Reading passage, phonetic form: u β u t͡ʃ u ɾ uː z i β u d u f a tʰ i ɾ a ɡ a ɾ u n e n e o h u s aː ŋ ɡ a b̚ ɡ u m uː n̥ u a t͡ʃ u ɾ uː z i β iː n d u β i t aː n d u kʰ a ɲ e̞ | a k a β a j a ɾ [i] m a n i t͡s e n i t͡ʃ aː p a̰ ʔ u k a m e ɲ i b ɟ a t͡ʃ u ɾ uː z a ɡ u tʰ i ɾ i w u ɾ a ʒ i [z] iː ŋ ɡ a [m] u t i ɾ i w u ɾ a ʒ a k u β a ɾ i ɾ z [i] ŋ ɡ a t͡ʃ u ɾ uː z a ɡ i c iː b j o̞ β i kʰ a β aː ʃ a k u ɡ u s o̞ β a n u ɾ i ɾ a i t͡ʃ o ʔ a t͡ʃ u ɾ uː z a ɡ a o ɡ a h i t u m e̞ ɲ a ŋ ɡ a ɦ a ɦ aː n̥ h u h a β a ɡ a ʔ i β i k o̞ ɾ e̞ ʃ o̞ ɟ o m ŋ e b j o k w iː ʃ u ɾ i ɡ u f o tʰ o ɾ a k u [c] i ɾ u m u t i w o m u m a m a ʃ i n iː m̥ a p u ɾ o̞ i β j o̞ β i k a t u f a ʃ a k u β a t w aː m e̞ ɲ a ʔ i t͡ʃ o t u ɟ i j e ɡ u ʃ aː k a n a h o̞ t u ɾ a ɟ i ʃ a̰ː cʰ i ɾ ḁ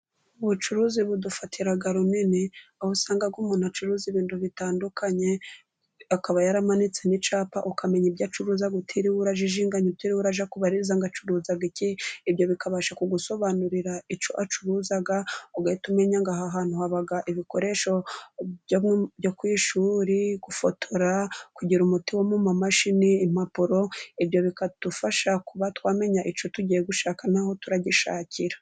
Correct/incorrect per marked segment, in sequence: incorrect, incorrect, incorrect, incorrect, incorrect

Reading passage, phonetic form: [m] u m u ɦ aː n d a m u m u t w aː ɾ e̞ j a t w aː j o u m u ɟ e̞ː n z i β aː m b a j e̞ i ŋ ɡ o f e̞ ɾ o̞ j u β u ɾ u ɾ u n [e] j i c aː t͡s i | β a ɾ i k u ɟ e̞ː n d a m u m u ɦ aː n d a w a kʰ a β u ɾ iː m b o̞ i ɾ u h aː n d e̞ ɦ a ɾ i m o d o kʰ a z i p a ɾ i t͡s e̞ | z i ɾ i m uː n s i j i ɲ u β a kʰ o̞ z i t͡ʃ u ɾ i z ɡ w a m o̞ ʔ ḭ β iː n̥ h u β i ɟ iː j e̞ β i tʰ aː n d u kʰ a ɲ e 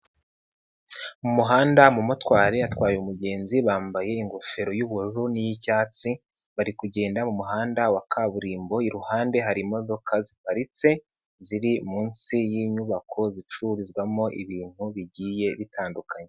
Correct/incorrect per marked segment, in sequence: correct, incorrect

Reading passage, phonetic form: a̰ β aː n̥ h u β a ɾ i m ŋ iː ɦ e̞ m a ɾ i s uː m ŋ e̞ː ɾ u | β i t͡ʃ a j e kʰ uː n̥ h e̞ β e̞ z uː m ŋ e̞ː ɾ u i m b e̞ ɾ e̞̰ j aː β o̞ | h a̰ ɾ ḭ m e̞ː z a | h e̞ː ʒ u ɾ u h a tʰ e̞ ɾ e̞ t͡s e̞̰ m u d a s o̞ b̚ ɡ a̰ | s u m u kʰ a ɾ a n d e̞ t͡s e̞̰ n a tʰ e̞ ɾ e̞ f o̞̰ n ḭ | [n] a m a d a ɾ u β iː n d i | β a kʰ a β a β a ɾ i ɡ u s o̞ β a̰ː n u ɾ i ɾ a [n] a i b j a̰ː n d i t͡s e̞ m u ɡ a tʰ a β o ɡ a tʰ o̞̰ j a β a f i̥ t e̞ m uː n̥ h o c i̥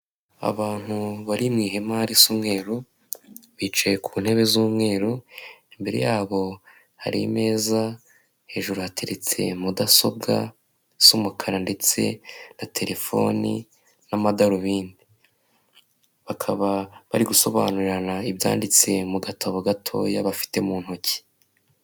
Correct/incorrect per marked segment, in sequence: correct, correct

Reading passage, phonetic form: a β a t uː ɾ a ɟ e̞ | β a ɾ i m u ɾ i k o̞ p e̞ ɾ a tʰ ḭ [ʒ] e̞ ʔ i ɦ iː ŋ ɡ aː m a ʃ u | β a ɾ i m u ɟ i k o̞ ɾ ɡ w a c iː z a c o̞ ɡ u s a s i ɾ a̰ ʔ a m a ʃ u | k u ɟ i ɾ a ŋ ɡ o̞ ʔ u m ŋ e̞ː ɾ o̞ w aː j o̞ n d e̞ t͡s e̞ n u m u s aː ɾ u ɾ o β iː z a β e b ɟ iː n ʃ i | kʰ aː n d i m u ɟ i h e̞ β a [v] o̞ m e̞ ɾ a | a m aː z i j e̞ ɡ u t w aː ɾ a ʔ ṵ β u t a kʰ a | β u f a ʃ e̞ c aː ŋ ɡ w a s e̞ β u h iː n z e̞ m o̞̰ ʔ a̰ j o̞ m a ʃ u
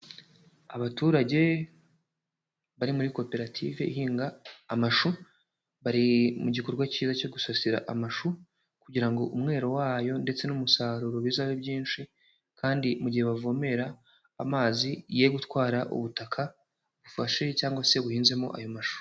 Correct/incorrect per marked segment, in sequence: incorrect, correct

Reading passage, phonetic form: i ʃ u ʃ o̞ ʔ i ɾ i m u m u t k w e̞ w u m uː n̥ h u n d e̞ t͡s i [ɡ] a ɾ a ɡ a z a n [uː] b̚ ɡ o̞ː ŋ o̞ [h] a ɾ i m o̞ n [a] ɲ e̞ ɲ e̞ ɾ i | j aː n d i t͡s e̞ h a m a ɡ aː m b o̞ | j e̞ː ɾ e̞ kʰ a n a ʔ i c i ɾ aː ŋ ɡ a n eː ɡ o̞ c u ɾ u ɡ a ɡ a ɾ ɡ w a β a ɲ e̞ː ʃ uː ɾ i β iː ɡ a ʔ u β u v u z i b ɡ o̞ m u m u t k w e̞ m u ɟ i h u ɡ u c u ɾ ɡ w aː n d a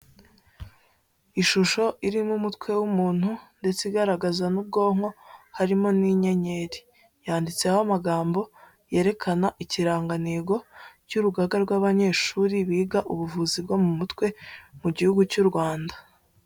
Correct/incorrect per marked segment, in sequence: correct, incorrect, correct, incorrect

